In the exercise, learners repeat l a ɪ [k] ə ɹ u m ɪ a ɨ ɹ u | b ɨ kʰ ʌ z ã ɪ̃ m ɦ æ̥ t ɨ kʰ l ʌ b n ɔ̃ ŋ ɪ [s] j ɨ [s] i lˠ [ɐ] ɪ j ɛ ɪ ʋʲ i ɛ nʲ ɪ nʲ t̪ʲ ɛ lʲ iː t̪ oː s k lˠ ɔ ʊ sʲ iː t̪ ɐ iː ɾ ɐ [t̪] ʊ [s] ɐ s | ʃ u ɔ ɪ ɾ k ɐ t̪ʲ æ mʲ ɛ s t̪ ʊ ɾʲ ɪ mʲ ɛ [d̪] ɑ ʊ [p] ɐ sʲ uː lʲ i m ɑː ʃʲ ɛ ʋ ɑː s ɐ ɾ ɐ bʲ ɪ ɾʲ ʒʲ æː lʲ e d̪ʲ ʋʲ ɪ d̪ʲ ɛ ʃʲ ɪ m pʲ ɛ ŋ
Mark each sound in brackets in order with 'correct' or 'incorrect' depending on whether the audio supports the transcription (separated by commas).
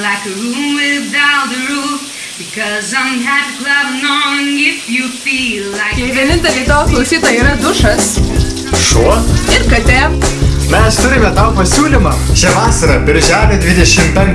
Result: correct, incorrect, incorrect, incorrect, incorrect, incorrect, incorrect, correct